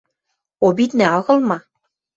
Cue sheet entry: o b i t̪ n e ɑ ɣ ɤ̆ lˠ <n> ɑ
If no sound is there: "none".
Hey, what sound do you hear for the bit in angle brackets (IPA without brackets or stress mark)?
m